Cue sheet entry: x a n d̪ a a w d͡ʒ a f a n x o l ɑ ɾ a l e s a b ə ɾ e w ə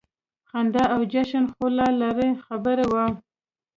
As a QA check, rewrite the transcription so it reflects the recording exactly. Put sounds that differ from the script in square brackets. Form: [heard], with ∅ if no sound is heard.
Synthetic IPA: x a n d̪ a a w d͡ʒ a [ʃ] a n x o l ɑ [l] a [ɾ] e [x] a b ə ɾ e w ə